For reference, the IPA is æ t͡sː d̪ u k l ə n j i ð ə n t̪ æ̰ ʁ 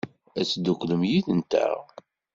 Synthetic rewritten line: æ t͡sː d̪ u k l ə m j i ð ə n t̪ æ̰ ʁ